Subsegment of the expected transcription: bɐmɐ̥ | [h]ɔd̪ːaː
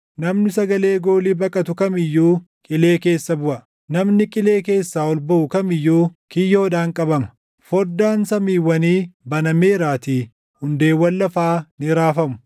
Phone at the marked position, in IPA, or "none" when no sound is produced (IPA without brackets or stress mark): f